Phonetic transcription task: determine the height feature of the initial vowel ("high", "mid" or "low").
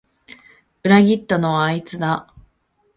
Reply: high